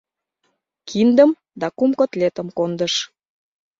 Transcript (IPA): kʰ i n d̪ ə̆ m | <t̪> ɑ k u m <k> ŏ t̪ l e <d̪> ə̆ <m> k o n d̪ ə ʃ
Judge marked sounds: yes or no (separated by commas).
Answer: no, yes, no, yes